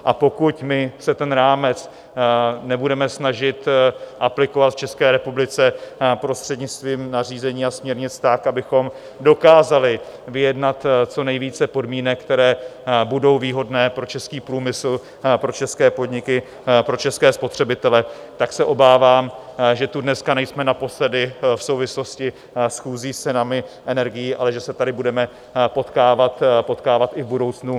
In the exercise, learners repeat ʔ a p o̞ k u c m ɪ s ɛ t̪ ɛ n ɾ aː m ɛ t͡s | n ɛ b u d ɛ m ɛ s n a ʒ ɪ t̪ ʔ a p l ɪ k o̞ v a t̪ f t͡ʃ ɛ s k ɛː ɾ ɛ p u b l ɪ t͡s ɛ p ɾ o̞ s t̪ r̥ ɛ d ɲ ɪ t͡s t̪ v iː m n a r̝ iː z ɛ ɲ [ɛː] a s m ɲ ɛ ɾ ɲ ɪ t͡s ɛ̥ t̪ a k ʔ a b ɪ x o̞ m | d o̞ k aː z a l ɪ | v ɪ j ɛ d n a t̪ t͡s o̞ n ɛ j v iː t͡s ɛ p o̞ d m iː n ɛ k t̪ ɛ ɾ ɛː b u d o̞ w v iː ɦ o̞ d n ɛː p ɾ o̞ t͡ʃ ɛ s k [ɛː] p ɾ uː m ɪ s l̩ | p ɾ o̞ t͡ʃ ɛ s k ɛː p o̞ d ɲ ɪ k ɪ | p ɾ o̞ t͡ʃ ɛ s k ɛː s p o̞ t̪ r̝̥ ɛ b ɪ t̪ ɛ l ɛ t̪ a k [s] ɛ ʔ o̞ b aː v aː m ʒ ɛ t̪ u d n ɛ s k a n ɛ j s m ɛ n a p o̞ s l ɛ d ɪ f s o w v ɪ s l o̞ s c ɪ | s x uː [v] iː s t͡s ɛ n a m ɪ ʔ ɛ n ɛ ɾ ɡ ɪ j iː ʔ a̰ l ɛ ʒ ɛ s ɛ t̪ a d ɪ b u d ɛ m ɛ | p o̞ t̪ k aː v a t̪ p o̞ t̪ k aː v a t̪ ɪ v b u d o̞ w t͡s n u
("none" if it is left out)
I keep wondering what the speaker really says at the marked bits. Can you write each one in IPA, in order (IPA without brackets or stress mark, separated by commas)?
iː, iː, s, z